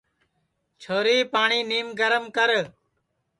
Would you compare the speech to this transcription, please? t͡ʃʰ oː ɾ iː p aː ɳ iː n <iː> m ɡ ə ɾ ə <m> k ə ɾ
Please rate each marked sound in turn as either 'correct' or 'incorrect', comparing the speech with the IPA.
correct, correct

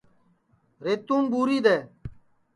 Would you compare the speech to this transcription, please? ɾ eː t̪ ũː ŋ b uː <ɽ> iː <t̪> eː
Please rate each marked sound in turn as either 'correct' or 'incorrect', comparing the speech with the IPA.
incorrect, incorrect

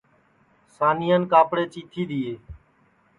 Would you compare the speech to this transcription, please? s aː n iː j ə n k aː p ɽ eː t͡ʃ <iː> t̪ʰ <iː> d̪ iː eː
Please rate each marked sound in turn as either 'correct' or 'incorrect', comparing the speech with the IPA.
correct, correct

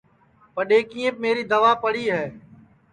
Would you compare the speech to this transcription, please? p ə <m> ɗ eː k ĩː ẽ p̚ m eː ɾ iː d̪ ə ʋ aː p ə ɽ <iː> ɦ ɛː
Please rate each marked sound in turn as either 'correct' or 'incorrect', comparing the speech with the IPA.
incorrect, correct

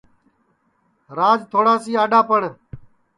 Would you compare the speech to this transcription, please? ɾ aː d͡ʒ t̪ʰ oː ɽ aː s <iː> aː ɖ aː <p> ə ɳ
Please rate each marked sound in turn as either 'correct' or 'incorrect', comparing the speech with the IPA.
correct, correct

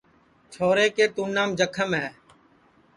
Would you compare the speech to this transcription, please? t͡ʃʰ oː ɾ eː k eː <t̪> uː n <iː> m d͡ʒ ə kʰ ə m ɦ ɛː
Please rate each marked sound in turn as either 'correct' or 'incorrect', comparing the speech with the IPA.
correct, incorrect

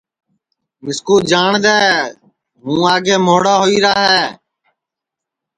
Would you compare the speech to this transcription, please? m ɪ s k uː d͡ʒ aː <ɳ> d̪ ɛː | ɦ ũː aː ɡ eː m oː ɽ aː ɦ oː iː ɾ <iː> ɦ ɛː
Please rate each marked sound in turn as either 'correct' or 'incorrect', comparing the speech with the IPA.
correct, incorrect

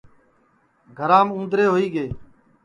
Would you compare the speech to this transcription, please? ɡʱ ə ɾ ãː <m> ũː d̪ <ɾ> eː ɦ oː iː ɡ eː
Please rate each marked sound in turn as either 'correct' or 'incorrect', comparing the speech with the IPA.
correct, correct

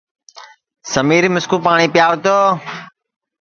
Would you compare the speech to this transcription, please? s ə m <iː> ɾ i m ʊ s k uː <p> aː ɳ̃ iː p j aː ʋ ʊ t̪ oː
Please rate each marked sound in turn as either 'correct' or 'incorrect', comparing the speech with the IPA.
correct, correct

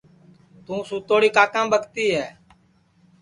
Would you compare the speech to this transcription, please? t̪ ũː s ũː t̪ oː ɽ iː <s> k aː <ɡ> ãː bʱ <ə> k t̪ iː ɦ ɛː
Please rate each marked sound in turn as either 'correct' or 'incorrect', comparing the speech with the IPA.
incorrect, incorrect, correct

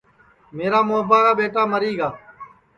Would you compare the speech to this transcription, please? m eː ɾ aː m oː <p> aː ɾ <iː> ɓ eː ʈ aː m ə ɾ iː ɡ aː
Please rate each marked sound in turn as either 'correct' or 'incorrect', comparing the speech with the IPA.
incorrect, incorrect

